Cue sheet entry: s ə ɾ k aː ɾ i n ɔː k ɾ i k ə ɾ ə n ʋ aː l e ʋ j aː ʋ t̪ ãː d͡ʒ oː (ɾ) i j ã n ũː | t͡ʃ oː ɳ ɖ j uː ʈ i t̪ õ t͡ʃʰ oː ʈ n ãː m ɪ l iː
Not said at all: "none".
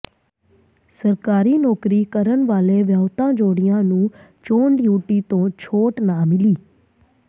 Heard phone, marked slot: ɽ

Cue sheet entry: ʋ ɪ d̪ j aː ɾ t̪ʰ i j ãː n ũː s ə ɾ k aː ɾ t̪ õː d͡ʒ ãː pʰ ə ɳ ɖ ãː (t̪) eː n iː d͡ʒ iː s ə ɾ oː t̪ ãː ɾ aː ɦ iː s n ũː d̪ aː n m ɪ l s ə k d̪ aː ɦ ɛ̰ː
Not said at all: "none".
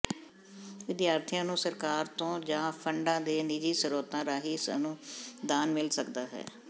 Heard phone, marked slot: d̪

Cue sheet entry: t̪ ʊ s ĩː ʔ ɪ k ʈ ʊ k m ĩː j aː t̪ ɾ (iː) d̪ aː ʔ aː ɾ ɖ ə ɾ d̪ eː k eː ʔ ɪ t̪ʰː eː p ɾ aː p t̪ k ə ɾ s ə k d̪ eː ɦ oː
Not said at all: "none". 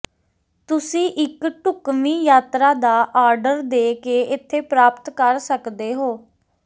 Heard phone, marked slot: aː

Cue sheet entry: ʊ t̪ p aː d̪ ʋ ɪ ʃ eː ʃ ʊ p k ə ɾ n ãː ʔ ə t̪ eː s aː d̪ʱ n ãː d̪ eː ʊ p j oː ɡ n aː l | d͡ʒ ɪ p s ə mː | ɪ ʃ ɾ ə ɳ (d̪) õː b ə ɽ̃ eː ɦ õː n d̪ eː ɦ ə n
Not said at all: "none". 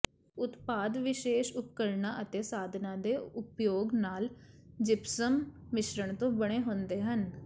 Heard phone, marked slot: t̪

